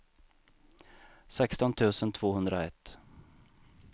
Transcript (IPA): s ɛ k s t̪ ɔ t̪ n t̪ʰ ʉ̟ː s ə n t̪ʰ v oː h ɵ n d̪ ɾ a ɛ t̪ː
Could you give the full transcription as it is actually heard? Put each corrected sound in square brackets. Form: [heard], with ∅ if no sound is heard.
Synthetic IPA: s ɛ k s t̪ ɔ [∅] n t̪ʰ ʉ̟ː s ə n t̪ʰ v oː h ɵ n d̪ ɾ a ɛ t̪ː